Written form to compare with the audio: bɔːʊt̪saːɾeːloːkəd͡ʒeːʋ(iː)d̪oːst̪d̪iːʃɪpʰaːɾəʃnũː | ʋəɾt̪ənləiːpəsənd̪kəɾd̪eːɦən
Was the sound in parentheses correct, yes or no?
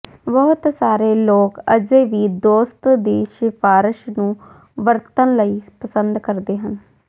yes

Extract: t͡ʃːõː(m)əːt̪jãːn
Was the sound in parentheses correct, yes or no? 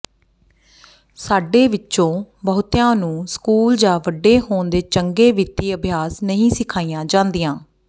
no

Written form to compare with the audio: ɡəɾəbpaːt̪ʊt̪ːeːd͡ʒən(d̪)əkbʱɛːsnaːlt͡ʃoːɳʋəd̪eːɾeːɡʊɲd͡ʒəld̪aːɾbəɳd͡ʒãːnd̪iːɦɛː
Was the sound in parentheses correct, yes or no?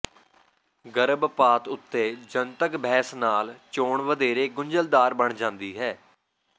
no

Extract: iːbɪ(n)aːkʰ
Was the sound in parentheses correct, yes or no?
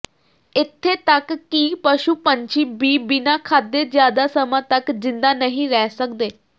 yes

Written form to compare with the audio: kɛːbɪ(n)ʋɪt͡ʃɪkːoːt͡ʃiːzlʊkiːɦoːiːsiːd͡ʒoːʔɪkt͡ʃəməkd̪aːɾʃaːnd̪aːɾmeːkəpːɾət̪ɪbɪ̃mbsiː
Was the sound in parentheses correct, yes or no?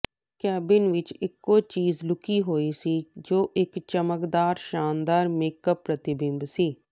yes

